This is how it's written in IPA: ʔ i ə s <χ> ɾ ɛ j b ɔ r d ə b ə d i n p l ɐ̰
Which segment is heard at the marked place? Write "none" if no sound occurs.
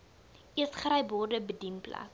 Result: χ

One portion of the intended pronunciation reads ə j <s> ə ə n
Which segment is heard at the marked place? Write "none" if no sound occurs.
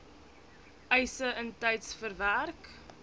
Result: s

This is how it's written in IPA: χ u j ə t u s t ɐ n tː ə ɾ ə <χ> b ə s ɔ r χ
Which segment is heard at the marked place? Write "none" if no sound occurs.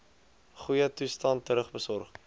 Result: χ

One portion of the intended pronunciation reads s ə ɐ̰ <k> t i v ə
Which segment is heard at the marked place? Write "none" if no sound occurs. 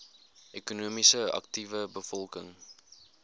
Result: k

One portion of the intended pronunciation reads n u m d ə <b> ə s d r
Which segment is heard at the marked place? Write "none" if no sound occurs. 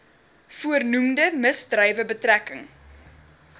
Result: m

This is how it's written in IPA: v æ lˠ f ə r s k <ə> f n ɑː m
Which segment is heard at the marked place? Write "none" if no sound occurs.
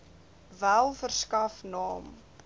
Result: ɐ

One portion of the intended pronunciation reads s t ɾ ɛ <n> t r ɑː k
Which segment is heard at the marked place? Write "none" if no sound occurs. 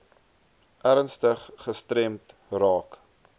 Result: m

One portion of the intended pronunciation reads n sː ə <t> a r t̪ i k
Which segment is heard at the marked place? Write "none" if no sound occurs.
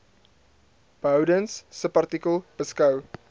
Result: p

